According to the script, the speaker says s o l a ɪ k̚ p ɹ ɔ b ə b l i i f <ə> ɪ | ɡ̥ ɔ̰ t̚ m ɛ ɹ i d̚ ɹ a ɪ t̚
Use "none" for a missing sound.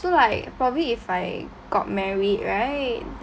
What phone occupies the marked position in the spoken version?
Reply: a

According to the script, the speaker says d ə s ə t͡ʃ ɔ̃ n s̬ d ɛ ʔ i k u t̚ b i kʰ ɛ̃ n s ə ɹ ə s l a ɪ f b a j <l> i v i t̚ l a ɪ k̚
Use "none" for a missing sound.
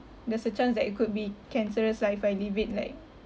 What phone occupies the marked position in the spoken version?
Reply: l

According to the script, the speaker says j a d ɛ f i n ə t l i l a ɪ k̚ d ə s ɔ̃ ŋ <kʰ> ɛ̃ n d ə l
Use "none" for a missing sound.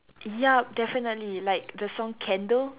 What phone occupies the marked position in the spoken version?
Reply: kʰ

